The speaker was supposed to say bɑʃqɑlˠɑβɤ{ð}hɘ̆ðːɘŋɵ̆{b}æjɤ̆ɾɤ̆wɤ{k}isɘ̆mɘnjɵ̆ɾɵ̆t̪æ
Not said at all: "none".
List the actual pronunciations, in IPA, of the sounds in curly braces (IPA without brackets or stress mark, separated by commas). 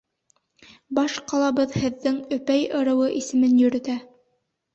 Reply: ð, p, ʔ